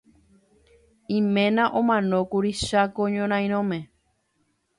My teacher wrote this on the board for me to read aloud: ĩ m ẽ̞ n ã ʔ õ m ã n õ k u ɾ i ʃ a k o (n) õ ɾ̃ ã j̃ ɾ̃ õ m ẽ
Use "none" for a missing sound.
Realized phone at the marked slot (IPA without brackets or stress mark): ɲ